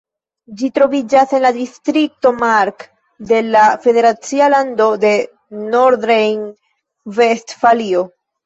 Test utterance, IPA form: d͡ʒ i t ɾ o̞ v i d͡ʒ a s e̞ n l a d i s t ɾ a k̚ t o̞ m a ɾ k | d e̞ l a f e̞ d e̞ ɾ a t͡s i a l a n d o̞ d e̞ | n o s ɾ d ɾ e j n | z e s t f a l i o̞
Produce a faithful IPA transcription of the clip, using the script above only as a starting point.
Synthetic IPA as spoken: d͡ʒ i t ɾ o̞ v i d͡ʒ a s e̞ n l a d i s t ɾ i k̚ t o̞ m a ɾ k | d e̞ l a f e̞ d e̞ ɾ a t͡s i a l a n d o̞ d e̞ | n o ɾ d ɾ e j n | v e s t f a l i o̞